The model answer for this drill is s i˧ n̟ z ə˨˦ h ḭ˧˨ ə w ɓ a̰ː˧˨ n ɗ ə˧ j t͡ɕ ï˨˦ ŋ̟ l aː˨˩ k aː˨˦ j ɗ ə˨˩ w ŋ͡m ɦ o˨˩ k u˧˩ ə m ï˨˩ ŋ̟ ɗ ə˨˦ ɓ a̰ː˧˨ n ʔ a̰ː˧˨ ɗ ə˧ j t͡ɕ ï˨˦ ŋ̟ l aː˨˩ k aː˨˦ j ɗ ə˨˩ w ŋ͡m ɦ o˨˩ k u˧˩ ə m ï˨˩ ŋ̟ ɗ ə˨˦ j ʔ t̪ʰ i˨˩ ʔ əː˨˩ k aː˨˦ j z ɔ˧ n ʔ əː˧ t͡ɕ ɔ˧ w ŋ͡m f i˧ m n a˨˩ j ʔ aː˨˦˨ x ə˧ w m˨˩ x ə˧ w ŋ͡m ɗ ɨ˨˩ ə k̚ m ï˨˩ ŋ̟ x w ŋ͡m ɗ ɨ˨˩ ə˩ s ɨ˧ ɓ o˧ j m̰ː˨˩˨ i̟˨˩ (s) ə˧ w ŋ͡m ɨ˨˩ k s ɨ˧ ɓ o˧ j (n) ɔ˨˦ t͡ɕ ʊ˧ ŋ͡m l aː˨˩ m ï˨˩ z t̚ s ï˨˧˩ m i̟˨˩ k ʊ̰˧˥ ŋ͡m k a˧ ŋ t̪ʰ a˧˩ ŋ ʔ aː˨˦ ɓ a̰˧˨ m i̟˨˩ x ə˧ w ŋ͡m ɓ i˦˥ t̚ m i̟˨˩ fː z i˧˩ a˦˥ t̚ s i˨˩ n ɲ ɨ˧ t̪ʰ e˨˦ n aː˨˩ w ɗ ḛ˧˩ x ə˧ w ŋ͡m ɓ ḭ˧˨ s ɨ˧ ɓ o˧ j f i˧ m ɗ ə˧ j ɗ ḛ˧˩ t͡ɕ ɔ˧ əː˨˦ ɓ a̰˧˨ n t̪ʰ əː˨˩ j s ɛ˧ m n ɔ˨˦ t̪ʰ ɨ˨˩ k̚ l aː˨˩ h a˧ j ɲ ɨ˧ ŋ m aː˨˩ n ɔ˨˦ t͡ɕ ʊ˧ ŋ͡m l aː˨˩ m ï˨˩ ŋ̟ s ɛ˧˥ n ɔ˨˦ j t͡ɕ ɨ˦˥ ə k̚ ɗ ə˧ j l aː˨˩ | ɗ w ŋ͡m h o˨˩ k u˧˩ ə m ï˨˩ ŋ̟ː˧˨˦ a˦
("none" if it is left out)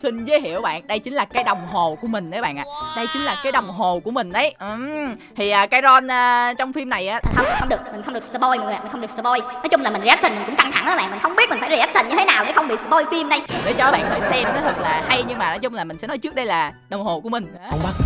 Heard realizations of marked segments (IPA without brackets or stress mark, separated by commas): x, n